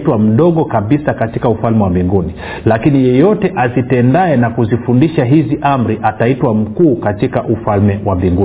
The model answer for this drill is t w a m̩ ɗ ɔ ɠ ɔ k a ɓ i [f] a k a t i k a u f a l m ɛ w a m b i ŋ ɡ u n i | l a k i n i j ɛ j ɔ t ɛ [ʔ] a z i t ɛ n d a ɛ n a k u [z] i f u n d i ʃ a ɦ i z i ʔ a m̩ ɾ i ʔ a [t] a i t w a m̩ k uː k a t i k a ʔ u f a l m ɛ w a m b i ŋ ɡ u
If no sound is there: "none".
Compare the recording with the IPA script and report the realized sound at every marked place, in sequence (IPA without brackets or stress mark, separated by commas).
s, ʔ, z, t